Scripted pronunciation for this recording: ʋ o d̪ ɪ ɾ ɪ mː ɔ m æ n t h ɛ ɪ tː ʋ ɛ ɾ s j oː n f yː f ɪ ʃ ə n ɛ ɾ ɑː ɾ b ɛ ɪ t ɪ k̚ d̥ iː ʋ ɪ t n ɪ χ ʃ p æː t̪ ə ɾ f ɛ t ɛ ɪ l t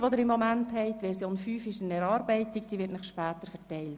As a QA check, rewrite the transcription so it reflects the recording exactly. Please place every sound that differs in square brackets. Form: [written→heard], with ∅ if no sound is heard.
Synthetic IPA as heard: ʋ o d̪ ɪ ɾ ɪ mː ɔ m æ n t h ɛ ɪ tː ʋ ɛ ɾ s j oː n f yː f ɪ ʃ ə n ɛ ɾ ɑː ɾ b ɛ ɪ t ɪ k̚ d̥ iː ʋ ɪ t n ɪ χ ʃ p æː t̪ ə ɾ f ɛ t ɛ ɪ l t